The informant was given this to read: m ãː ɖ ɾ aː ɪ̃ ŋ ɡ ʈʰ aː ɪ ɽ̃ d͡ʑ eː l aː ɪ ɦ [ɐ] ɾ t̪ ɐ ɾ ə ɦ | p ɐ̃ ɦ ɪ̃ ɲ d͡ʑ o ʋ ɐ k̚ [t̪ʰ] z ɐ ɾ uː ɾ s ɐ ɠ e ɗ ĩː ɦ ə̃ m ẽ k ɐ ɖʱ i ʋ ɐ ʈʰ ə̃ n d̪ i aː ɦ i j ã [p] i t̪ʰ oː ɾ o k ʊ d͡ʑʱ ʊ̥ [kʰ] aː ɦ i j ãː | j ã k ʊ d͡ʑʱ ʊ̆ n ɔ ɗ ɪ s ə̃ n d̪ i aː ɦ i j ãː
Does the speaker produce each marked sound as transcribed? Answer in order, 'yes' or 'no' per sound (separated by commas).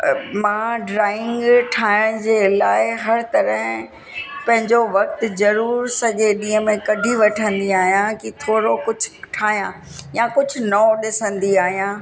yes, no, no, no